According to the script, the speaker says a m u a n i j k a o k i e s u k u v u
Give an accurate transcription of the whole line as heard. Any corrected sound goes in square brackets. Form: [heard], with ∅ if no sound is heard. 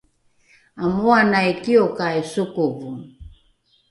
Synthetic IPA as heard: a m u a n [a] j k [i] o k [a] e s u k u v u

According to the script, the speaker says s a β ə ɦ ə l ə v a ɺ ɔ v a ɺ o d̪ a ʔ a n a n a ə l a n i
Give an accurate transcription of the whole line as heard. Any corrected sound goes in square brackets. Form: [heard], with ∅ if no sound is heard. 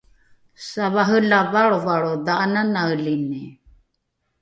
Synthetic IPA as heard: s a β [a] ɦ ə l [a] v a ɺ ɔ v a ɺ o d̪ a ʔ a n a n a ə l [i] n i

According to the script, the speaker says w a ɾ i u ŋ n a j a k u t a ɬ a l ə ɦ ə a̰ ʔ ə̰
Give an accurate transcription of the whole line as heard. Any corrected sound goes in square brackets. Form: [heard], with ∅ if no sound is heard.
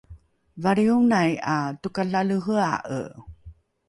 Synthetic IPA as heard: [v] a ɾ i u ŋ n a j a [t] u [k] a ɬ a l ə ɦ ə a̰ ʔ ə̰

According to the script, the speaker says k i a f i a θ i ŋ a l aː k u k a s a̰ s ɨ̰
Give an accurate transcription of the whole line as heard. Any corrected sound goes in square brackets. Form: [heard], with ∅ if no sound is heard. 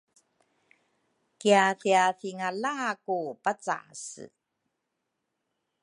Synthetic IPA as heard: k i a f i a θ i ŋ a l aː k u [p] a [t͡s] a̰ s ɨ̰

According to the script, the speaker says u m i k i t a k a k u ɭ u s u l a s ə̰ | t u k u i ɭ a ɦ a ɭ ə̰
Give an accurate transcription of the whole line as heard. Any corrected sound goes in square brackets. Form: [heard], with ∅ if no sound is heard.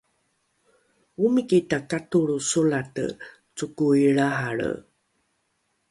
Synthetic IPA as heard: u m i k i t a k a [t] u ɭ u s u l a [t] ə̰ | [t͡s] u k u i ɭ a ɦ a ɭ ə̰

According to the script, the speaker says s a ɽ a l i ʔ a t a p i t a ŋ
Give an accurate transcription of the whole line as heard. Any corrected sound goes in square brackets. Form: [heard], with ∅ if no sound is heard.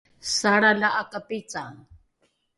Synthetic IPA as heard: s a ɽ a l [a] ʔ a [k] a p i [t͡s] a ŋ

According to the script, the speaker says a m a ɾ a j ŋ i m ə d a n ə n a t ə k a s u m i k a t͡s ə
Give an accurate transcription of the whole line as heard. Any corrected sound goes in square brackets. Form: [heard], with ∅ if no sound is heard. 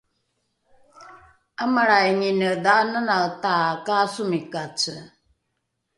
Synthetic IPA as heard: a m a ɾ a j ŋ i [n] ə d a n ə n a t [a] k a s u m i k a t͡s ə

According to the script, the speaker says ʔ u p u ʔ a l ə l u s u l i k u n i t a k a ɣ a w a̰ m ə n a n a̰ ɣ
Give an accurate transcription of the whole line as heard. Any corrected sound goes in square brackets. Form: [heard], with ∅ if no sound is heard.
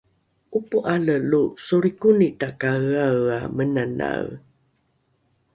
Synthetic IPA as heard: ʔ u p u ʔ a l ə l u s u [ɾ] i k u n i t a k a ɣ a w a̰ m ə n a n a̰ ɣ

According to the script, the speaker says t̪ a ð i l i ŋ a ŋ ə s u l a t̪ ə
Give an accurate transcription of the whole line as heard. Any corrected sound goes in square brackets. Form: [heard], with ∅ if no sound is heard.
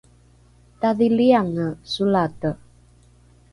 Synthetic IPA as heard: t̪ a ð i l i [∅] a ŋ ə s u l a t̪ ə

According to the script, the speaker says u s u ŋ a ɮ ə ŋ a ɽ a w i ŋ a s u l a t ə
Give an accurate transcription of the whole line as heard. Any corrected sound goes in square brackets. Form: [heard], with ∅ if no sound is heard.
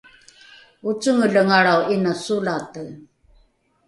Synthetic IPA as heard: u [t͡s] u ŋ [ə] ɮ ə ŋ a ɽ a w i [n] a s u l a t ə

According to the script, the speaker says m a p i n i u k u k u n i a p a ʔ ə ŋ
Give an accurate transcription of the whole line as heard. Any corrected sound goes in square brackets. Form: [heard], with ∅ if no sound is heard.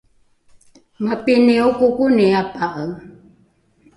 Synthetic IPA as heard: m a p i n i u k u k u n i a p a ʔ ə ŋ

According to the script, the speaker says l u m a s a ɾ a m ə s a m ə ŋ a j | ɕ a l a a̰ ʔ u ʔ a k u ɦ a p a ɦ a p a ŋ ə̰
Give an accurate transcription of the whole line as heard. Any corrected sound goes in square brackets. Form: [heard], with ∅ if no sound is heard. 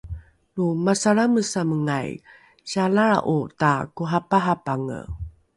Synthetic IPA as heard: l u m a s a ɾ a m ə s a m ə ŋ a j | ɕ a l a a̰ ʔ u [t] a k u ɦ a p a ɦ a p a ŋ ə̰

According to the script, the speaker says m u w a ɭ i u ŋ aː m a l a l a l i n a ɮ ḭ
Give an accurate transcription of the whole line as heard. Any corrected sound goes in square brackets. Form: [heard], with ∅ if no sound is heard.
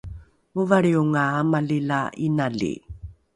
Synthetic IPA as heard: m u [v] a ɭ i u ŋ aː m a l [i] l a [∅] i n a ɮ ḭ

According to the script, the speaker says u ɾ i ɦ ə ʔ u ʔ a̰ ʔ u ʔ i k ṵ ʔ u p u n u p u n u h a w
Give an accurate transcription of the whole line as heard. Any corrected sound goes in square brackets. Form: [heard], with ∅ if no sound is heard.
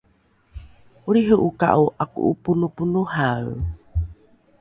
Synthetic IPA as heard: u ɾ i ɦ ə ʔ u [k] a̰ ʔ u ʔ [a] k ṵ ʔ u p u n u p u n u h a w

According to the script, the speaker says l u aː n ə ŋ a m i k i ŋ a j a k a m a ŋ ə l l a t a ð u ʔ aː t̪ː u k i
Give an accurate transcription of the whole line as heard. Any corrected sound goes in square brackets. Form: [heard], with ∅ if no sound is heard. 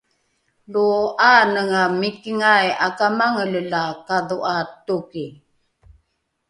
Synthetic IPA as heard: l u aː n ə ŋ a m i k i ŋ a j a k a m a ŋ ə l l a [k] a ð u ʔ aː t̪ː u k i

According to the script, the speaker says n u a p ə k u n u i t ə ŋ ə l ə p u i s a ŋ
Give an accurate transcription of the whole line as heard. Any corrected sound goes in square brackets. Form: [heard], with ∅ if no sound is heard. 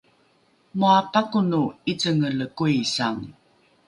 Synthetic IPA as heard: [m] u a p [a] k u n u i [t͡s] ə ŋ ə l ə [k] u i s a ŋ

